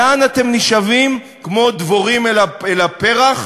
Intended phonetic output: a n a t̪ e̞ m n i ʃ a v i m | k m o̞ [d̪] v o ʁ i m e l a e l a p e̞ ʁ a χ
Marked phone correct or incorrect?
correct